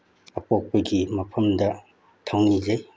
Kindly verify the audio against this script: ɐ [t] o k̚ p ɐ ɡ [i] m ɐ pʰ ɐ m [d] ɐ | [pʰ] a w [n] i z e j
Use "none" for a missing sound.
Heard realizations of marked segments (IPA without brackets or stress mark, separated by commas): p, i, d, tʰ, n